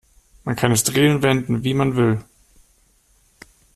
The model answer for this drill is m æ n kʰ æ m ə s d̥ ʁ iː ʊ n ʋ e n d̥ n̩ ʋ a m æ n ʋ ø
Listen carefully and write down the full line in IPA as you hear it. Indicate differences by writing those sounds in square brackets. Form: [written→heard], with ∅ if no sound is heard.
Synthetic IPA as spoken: m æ n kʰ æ [m→n] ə s d̥ ʁ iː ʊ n ʋ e n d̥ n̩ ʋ [a→i] m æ n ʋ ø